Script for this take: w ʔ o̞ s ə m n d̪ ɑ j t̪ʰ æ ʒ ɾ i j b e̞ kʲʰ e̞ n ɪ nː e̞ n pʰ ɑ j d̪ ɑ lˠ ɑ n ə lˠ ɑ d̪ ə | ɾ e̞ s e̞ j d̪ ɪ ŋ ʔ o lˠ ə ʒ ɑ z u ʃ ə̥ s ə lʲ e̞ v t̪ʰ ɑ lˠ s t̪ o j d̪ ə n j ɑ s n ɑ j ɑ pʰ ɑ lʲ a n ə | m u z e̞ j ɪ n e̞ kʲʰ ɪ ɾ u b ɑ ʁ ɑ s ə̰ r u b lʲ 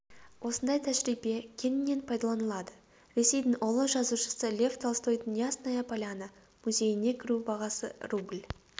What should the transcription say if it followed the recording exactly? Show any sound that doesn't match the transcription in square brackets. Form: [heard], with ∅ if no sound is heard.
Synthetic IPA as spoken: w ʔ o̞ s ə [∅] n d̪ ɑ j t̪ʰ æ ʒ ɾ i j b e̞ kʲʰ e̞ n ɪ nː e̞ n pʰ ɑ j d̪ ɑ lˠ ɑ n ə lˠ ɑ d̪ ə | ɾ e̞ s e̞ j d̪ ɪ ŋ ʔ o lˠ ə ʒ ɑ z u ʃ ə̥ s ə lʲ e̞ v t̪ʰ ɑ lˠ s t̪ o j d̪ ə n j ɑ s n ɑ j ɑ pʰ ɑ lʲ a n ə | m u z e̞ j ɪ n e̞ kʲʰ ɪ ɾ u b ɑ ʁ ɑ s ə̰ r u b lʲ